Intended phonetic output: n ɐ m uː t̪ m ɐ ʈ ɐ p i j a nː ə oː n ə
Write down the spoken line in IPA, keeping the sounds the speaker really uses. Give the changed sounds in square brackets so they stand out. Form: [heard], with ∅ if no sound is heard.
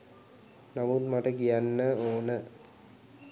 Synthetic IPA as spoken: n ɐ m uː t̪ m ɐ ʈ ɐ [k] i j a nː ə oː n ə